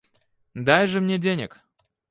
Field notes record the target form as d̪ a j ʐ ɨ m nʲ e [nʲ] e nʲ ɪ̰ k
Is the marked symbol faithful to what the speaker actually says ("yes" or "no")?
no